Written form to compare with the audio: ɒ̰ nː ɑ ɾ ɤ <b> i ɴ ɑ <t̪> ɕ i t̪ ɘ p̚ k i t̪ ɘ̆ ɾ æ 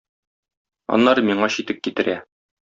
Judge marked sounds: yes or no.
no, no

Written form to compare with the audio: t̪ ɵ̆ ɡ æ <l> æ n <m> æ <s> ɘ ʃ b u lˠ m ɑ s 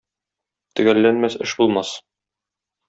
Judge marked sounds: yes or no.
no, yes, yes

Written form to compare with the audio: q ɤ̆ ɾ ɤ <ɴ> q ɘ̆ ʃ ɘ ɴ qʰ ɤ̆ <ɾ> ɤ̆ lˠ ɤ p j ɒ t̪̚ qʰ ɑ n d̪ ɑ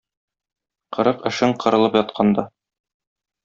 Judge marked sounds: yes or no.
no, yes

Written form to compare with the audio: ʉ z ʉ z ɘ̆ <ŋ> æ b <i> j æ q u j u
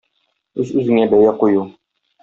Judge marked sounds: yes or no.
yes, no

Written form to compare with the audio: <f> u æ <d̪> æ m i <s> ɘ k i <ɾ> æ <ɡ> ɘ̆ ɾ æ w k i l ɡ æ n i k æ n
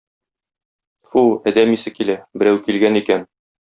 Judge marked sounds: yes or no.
yes, yes, yes, no, no

